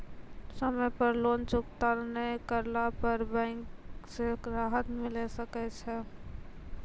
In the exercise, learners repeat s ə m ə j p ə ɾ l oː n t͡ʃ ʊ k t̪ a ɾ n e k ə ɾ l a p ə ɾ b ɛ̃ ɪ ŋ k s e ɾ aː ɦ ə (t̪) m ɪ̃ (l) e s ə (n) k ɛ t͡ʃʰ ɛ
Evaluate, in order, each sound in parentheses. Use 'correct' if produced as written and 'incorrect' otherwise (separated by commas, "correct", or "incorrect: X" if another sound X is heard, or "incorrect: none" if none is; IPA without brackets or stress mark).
correct, correct, incorrect: none